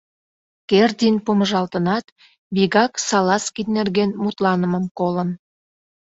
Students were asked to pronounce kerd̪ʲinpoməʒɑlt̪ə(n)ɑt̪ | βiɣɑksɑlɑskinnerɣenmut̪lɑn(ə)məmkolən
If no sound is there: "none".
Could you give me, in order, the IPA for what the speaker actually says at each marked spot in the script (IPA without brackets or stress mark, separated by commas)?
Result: n, ə